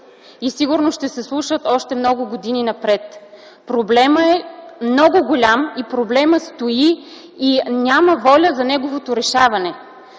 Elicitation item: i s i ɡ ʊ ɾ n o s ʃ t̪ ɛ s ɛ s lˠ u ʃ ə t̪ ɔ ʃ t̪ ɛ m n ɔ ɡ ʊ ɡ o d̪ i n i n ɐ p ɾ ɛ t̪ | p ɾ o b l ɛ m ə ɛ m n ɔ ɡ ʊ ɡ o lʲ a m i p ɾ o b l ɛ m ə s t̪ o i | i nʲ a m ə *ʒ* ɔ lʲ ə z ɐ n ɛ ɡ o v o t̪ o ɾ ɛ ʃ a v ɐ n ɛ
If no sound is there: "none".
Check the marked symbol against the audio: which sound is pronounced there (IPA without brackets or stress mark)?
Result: v